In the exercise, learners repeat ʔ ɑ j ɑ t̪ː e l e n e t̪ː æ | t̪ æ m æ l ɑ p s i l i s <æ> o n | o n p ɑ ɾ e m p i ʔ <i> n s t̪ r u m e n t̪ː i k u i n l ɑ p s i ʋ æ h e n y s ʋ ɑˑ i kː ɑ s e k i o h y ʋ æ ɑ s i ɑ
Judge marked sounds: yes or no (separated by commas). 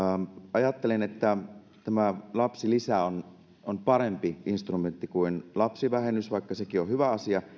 yes, yes